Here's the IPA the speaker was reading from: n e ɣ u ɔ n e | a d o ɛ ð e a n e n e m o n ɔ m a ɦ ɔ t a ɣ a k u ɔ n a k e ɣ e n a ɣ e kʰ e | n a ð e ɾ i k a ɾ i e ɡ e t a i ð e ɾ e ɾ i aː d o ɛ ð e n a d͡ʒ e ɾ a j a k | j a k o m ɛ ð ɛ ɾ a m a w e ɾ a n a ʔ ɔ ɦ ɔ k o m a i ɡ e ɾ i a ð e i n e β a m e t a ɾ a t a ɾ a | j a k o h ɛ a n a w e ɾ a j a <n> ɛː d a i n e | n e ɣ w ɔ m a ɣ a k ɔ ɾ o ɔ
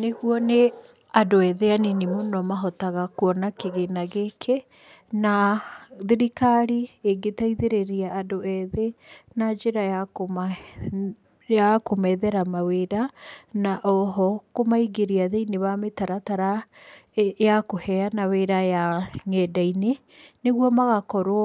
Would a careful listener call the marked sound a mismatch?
yes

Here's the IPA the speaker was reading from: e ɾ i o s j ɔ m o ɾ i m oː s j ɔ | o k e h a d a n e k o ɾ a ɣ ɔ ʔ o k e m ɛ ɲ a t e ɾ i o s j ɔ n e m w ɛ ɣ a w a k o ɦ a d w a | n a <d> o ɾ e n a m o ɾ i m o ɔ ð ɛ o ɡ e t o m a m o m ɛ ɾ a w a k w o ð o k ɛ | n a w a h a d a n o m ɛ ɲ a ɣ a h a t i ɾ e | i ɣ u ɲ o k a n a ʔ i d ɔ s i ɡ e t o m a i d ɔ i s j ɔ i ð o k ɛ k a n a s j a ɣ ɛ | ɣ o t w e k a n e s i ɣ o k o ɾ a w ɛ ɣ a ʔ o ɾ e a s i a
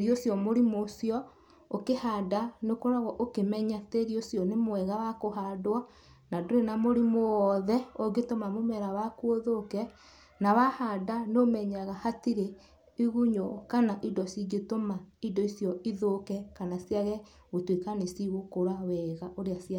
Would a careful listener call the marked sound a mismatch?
no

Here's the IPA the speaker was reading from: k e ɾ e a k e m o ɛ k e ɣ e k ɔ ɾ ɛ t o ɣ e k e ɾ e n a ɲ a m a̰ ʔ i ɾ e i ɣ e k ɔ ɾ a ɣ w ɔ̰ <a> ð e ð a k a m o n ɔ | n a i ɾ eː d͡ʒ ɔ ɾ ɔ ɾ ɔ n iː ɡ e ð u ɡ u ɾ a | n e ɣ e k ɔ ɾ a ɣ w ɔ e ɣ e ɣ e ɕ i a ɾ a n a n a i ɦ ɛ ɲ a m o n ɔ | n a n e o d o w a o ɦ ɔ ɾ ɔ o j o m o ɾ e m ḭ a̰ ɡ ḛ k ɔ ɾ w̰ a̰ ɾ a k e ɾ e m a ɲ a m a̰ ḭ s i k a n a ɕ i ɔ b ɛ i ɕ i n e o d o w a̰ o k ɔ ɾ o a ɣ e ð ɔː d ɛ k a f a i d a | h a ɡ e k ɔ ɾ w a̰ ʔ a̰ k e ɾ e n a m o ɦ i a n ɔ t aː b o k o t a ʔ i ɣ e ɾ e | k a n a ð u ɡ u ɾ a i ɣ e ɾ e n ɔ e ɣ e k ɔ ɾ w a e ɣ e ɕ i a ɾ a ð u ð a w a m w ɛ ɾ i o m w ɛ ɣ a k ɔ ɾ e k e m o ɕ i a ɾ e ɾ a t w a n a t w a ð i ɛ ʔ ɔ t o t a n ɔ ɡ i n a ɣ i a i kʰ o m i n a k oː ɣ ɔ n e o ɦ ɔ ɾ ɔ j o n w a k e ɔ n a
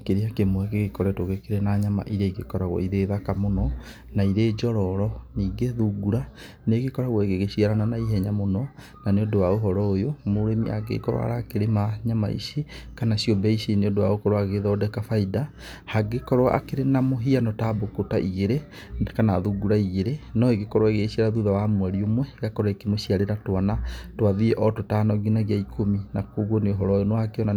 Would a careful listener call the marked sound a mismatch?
yes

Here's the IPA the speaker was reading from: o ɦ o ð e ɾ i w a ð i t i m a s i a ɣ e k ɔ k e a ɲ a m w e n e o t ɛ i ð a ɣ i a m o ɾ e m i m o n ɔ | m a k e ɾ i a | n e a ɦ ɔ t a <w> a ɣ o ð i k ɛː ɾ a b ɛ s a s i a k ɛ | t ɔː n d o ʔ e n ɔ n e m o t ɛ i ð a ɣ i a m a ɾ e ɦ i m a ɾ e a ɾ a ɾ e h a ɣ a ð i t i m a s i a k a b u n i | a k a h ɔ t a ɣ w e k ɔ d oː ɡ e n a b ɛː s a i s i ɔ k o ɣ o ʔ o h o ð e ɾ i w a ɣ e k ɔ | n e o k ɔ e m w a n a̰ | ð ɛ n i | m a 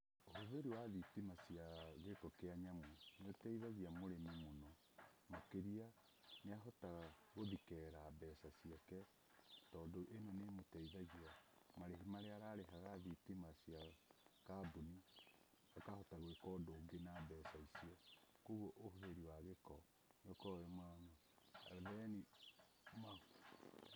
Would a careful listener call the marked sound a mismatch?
yes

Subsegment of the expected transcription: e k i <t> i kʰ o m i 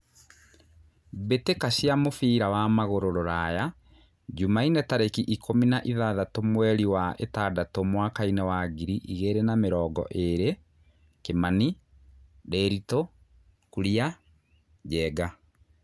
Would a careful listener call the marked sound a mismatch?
yes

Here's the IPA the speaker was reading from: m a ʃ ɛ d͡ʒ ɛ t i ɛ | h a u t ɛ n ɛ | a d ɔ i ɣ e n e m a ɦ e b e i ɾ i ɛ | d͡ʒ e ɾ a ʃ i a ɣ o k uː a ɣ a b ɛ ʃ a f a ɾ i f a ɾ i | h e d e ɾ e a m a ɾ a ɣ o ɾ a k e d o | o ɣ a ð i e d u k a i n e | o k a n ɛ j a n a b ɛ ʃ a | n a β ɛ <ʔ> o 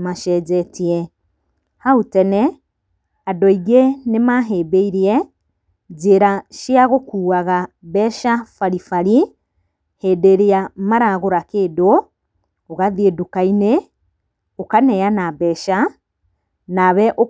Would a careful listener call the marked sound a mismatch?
no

